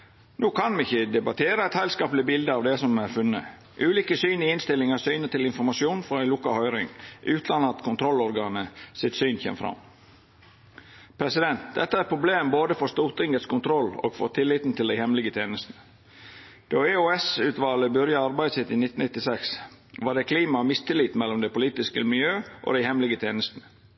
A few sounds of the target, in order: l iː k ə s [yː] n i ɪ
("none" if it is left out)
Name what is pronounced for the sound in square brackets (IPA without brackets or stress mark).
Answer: yː